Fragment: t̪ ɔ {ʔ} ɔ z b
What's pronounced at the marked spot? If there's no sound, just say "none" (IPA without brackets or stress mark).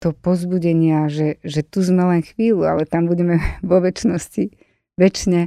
p